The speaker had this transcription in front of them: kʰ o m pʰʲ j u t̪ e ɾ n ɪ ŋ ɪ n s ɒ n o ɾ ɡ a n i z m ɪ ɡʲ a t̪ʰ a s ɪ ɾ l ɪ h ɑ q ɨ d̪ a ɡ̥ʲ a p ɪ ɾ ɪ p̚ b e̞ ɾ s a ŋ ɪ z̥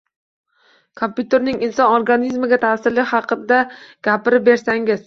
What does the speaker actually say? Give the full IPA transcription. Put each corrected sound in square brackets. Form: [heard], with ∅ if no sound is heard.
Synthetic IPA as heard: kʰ o m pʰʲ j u t̪ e ɾ n ɪ ŋ ɪ n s ɒ n o ɾ ɡ a n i z m ɪ ɡʲ a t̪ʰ a s ɪ ɾ l ɪ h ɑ q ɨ d̪ a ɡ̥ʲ a p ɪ ɾ ɪ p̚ b e̞ ɾ s a ŋ ɪ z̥